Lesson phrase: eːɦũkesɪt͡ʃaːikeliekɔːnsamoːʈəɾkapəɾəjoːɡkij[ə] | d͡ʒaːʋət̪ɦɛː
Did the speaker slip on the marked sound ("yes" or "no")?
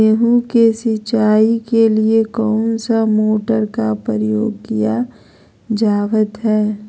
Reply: yes